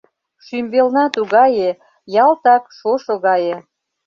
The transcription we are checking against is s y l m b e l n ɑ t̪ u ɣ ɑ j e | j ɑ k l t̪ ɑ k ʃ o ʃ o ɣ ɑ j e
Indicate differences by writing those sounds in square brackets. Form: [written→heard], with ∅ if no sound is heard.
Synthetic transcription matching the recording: [s→ʃ] y [l→∅] m b e l n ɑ t̪ u ɣ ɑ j e | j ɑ [k→∅] l t̪ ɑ k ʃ o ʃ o ɣ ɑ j e